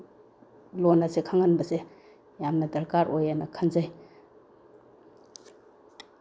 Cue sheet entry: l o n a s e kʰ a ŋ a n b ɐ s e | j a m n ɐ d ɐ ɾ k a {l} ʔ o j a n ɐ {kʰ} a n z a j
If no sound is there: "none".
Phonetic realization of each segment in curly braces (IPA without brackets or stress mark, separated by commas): ɾ, kʰ